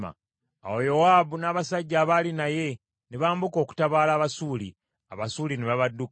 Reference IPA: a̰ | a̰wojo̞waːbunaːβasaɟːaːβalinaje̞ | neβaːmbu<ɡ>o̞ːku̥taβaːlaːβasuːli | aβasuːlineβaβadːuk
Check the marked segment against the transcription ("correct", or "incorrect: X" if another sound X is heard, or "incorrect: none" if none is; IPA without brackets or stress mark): incorrect: k